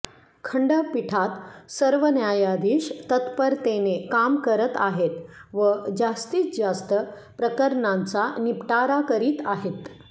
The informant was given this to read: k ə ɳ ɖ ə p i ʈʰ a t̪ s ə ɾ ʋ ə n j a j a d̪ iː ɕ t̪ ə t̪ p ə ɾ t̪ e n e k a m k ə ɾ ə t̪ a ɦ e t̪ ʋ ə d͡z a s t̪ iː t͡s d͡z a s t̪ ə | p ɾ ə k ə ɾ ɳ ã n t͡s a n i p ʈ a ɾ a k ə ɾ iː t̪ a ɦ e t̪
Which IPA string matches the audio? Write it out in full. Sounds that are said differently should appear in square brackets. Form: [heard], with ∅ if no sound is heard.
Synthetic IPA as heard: [kʰ] ə ɳ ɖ ə p i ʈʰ a t̪ s ə ɾ ʋ ə n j a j a d̪ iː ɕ t̪ ə t̪ p ə ɾ t̪ e n e k a m k ə ɾ ə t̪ a ɦ e t̪ ʋ ə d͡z a s t̪ iː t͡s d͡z a s t̪ ə | p ɾ ə k ə ɾ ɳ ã n t͡s a n i p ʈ a ɾ a k ə ɾ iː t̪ a ɦ e t̪